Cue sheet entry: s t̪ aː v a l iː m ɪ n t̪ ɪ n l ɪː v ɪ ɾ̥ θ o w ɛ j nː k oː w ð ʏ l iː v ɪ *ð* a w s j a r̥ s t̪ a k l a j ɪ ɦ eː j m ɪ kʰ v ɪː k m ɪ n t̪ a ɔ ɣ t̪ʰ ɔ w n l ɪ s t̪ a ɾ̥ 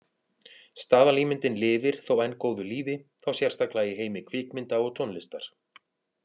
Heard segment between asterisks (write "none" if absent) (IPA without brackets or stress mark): θ